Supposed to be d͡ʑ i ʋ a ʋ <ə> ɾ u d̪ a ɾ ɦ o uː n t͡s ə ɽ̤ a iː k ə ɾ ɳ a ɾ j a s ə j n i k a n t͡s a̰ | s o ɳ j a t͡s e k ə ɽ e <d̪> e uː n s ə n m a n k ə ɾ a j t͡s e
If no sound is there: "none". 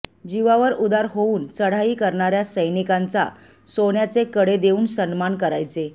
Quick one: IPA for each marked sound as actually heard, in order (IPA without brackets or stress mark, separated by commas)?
ə, d̪